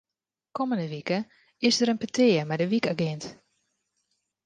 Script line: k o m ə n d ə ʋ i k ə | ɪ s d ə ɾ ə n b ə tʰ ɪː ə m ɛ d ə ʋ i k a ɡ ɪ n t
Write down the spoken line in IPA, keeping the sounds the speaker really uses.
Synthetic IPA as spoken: k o m ə n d ə ʋ i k ə | ɪ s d ə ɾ ə n p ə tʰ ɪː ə m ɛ d ə ʋ i k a ɡ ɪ n t